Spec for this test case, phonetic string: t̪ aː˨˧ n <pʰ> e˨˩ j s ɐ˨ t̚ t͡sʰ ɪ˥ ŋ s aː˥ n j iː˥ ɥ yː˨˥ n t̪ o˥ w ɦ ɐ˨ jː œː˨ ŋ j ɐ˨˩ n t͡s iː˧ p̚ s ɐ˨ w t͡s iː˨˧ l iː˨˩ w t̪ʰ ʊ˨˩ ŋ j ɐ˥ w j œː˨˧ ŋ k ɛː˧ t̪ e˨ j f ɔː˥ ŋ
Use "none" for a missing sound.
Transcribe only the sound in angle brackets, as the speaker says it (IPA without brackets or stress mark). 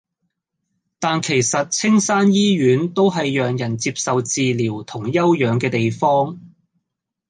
kʰ